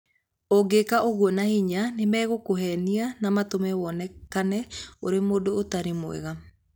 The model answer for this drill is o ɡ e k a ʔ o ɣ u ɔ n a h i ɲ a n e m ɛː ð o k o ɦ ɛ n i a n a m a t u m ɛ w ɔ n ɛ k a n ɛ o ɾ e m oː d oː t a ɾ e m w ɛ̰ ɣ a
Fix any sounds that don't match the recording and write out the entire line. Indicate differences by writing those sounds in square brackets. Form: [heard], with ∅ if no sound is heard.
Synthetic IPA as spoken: o ɡ e k a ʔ o ɣ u ɔ n a h i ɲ a n e m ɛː [ɣ] o k o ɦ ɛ n i a n a m a t [o] m ɛ w ɔ n ɛ k a n ɛ o ɾ e m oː d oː t a ɾ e m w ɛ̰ ɣ a